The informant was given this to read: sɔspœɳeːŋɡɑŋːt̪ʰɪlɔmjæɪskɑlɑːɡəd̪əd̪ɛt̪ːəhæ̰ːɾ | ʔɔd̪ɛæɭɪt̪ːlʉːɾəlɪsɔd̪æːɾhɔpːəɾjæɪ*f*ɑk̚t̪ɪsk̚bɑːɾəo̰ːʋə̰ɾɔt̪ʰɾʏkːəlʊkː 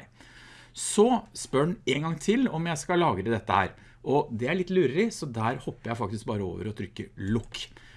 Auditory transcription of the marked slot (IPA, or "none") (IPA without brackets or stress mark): f